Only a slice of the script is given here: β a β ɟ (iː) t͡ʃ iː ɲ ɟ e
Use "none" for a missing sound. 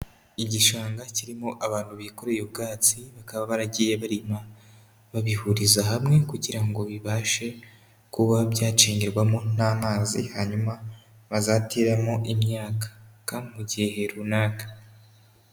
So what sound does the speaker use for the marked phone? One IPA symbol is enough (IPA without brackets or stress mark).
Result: aː